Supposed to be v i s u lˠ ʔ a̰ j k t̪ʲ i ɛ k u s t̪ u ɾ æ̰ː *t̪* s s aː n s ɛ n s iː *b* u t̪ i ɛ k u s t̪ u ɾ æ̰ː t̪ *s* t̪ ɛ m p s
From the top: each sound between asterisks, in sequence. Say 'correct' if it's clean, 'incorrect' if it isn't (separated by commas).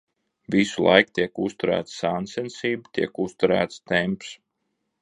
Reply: correct, correct, correct